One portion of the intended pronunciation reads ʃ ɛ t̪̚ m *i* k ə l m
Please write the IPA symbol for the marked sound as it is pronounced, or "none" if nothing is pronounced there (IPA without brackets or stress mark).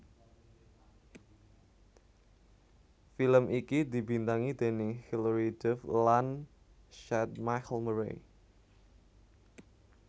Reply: a